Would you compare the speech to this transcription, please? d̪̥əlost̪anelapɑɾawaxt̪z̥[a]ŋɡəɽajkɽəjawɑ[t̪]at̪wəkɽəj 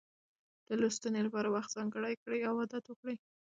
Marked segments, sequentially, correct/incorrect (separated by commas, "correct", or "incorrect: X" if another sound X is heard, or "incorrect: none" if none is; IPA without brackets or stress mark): incorrect: ɑ, incorrect: d̪